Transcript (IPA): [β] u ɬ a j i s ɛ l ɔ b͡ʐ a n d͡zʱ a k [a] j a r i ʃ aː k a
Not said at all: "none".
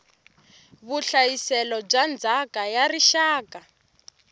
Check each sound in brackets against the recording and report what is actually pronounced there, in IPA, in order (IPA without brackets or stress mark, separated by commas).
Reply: β, a